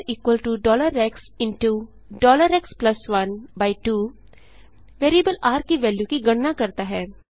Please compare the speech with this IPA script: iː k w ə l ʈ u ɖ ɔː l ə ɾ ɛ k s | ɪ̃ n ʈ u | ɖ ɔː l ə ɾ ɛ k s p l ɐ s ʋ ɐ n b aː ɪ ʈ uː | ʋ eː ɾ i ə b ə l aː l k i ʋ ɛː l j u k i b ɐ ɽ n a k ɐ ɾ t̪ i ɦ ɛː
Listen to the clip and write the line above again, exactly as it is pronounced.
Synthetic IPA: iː k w ə l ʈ u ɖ ɔː l ə ɾ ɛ k s | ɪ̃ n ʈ u | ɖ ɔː l ə ɾ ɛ k s p l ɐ s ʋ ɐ n b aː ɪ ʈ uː | ʋ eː ɾ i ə b ə l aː ɾ k i ʋ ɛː l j u k i ɡ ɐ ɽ n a k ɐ ɾ t̪ a ɦ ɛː